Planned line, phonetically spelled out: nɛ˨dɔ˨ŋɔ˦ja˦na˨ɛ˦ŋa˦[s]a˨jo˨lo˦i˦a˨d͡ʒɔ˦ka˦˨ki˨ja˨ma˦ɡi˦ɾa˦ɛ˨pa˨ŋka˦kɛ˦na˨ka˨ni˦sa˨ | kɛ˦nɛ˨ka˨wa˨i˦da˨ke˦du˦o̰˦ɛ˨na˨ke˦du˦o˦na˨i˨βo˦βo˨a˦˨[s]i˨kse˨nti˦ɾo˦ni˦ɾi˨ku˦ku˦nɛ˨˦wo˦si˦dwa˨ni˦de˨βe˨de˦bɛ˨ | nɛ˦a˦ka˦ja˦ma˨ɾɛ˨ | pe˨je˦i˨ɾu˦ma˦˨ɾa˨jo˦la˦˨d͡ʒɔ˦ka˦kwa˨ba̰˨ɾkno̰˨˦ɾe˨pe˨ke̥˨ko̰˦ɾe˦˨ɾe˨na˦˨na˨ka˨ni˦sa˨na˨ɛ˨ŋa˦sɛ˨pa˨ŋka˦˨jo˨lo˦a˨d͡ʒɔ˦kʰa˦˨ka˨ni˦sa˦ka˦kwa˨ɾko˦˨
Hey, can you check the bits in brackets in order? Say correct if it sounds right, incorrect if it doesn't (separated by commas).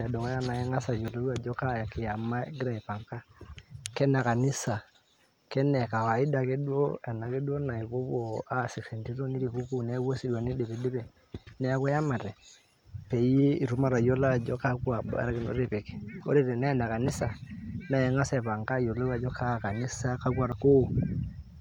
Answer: correct, correct